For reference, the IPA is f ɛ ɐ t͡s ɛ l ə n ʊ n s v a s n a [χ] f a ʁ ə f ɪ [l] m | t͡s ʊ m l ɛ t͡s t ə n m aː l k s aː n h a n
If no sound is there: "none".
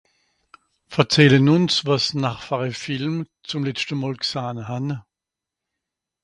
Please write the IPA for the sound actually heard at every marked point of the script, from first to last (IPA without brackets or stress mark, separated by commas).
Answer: χ, l